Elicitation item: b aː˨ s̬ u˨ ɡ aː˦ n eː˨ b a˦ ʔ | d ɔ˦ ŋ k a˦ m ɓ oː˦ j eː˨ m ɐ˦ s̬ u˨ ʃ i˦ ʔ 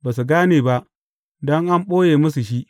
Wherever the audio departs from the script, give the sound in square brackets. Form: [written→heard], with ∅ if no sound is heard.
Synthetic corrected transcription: b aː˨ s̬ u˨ ɡ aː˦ n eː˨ b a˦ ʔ | d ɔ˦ ŋ [k→ʔ] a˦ m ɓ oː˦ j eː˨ m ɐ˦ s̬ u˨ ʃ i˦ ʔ